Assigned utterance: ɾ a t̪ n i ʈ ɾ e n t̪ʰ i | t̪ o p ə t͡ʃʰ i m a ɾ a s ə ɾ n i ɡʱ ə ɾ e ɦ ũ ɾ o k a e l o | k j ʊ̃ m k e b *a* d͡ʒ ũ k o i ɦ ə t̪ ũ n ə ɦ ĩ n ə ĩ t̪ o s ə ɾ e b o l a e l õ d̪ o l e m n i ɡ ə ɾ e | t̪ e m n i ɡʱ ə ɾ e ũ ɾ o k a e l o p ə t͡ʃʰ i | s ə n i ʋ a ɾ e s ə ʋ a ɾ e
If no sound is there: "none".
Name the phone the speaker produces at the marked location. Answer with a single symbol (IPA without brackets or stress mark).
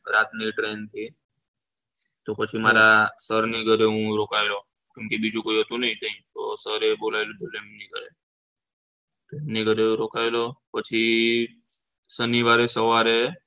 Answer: i